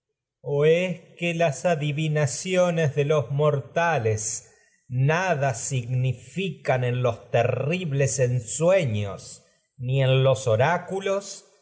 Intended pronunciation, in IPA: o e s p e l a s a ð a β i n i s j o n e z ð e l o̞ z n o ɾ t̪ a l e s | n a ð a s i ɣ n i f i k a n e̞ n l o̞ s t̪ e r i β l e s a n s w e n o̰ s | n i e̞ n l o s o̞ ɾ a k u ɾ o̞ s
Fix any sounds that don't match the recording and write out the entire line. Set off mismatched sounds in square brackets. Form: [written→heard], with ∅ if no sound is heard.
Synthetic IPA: o e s [p→k] e l a s a ð [a→i] β i n [i→a] s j o n e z ð e l o̞ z [n→m] o ɾ t̪ a l e s | n a ð a s i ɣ n i f i k a n e̞ n l o̞ s t̪ e r i β l e s [a→e] n s w e [n→ɲ] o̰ s | n i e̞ n l o s o̞ ɾ a k u [ɾ→l] o̞ s